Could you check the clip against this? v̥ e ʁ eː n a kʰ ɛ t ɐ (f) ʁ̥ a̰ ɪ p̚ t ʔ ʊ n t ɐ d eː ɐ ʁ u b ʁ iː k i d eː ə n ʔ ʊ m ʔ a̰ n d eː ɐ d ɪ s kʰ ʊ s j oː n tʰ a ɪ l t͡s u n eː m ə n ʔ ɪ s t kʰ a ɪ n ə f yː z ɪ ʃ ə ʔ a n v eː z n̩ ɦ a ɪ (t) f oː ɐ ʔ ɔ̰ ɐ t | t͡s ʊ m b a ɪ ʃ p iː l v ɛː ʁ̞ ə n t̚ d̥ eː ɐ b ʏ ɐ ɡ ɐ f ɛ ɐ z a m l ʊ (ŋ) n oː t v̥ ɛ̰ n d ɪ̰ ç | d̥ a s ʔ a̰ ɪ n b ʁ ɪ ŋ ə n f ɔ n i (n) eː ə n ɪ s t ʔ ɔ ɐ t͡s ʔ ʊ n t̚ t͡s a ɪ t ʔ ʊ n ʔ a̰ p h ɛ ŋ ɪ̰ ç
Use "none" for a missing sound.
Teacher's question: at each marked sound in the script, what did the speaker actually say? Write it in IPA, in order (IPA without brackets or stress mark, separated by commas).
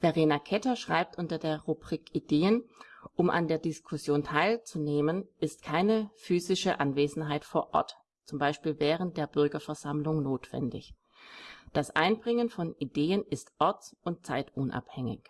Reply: ʃ, t, ŋ, d